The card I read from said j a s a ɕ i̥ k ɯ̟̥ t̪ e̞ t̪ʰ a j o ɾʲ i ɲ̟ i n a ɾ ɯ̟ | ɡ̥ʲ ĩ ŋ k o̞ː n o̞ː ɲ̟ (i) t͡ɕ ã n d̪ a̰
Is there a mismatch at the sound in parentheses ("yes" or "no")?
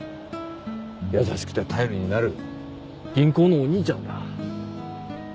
yes